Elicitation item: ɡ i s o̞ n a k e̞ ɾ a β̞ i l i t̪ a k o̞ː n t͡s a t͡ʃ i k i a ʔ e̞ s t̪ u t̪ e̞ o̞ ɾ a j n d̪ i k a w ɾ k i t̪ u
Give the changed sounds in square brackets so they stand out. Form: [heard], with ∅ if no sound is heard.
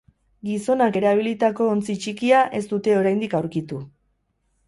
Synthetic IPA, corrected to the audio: ɡ i s o̞ n a k e̞ ɾ a β̞ i l i t̪ a k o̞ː n t͡s [i] t͡ʃ i k i a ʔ e̞ s t̪ u t̪ e̞ o̞ ɾ a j n d̪ i k a w ɾ k i t̪ u